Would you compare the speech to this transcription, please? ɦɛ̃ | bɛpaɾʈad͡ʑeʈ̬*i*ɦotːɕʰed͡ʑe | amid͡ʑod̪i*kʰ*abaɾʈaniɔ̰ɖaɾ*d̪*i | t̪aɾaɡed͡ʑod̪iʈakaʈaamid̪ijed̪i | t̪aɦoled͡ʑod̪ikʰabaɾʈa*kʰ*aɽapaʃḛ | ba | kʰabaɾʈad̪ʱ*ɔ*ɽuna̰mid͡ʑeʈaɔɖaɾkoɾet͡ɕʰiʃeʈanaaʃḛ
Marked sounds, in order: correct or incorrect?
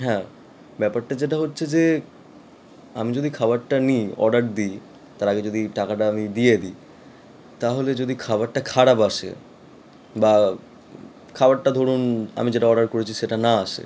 incorrect: a, correct, correct, correct, incorrect: o

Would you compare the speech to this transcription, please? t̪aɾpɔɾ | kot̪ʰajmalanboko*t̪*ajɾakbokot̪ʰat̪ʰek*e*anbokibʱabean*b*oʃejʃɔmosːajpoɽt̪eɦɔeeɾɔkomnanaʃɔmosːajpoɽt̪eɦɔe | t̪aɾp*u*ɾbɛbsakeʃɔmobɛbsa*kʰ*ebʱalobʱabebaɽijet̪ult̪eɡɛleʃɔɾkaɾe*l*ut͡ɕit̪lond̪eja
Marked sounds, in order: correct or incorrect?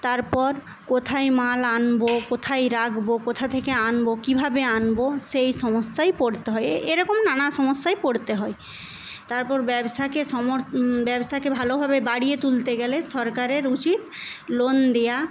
incorrect: t̪ʰ, correct, correct, incorrect: ɔ, incorrect: k, incorrect: ɾ

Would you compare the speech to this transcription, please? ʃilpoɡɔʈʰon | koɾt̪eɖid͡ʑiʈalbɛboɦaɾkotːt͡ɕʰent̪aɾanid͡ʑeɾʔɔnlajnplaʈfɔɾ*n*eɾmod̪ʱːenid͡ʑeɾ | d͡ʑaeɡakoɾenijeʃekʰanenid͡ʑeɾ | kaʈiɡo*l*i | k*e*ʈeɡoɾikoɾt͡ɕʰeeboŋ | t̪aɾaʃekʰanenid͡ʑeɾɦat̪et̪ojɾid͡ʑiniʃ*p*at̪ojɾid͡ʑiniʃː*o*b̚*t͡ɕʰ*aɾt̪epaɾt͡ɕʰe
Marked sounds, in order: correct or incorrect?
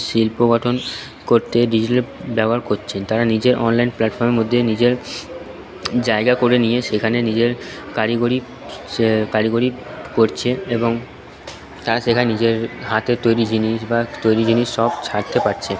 incorrect: m, incorrect: ɾ, incorrect: a, incorrect: b, incorrect: ɔ, correct

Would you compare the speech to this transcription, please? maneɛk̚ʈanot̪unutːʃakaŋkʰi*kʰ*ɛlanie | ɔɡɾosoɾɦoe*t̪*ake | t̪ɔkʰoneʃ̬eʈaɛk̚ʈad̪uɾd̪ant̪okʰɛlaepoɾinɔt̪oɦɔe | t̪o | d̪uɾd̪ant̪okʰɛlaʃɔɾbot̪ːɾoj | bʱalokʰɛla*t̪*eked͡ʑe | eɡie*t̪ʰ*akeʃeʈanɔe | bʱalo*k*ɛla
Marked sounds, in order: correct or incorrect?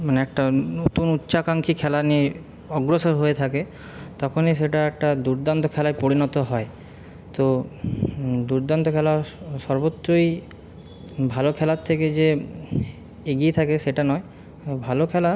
correct, incorrect: t̪ʰ, incorrect: t̪ʰ, correct, incorrect: kʰ

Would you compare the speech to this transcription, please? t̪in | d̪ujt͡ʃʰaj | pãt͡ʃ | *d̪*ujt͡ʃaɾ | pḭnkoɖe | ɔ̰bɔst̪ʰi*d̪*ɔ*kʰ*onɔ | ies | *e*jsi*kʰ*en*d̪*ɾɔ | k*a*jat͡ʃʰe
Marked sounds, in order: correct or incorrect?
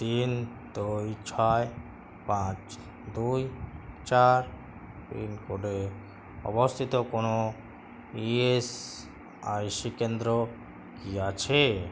correct, incorrect: t̪, incorrect: k, incorrect: a, incorrect: k, correct, incorrect: i

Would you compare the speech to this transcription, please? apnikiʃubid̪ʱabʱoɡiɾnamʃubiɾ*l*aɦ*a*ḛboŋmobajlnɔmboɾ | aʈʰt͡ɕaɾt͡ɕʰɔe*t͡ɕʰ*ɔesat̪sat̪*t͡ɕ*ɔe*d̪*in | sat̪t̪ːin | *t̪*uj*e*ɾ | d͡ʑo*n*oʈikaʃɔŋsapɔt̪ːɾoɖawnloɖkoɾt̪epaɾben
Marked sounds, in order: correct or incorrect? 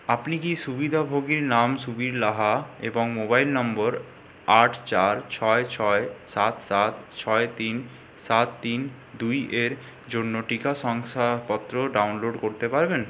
correct, correct, correct, incorrect: t͡ɕʰ, incorrect: t̪, incorrect: d̪, correct, incorrect: nː

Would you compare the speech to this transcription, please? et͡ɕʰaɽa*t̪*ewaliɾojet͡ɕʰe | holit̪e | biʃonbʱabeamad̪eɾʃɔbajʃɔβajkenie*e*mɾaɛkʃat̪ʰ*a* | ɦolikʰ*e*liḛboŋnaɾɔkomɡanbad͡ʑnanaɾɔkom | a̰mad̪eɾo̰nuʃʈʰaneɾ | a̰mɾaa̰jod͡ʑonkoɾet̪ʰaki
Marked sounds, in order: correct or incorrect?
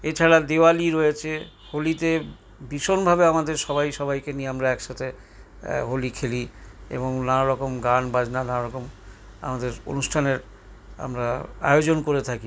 incorrect: d̪, incorrect: a, incorrect: e, correct

